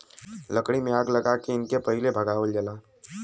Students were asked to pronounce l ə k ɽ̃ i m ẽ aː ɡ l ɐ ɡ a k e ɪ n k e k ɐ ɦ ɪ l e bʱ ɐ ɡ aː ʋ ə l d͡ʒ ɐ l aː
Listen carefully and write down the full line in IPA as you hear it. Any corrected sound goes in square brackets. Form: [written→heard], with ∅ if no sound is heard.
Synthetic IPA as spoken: l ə k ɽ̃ i m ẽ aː ɡ l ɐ ɡ a k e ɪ n k e [k→p] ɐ ɦ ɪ l e bʱ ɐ ɡ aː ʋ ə l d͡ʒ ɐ l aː